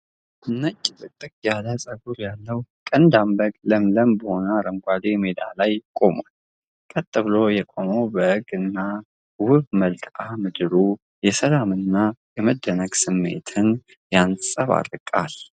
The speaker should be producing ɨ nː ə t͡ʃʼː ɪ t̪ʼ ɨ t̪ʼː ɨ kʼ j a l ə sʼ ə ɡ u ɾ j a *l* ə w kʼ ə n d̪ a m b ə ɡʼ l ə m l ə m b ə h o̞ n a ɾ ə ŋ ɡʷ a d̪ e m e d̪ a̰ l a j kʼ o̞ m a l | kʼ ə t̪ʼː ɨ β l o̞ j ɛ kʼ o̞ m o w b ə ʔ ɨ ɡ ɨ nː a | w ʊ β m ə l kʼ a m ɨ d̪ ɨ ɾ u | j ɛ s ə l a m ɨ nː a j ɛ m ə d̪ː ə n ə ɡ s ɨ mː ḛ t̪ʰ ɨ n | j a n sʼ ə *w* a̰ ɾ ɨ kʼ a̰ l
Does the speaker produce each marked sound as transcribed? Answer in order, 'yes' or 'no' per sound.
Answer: no, no

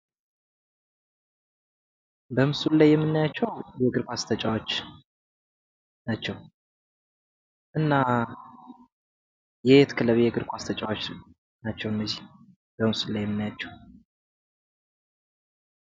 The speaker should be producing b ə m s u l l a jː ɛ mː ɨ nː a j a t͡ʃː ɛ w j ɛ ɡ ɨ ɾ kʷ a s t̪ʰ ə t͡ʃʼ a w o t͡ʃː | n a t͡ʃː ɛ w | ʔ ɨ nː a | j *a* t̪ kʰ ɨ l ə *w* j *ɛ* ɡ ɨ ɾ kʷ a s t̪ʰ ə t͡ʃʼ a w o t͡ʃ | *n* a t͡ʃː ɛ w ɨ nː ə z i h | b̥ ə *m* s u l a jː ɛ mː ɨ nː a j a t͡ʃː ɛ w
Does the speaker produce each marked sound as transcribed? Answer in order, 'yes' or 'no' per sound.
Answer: no, no, yes, yes, yes

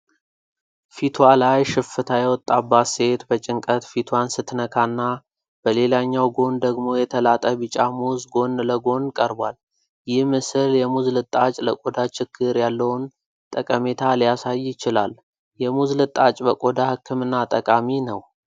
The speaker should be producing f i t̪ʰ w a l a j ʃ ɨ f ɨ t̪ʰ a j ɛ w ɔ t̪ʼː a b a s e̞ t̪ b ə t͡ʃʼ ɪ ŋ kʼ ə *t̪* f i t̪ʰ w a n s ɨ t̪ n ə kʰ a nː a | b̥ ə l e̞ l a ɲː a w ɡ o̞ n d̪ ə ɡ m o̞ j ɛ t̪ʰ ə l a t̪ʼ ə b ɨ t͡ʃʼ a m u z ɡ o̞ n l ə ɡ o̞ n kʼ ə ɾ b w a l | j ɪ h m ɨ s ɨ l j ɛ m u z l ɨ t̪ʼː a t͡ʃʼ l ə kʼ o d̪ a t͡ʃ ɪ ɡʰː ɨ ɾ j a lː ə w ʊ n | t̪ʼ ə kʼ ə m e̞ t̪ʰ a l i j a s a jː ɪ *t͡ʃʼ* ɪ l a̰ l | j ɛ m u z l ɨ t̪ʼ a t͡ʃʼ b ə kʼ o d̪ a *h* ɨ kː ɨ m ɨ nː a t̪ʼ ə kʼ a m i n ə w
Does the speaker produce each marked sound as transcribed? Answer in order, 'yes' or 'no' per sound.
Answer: yes, no, yes

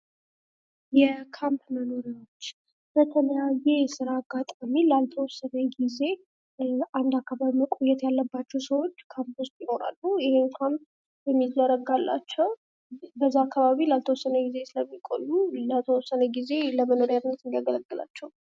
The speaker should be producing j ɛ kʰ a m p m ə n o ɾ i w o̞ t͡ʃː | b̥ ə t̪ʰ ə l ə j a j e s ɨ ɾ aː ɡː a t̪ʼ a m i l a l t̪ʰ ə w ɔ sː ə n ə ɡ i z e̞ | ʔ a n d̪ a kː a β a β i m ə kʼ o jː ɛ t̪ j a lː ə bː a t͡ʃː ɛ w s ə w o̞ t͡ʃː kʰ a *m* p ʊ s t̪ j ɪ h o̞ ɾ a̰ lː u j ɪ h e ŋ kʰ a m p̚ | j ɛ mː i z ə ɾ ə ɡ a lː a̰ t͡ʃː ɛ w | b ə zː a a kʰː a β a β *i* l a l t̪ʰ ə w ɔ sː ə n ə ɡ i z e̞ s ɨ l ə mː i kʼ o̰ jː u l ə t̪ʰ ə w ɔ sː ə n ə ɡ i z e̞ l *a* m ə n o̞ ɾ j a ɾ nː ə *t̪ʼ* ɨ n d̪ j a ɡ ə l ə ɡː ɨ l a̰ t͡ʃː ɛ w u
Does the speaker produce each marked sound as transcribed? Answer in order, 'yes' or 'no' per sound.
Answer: yes, yes, no, no

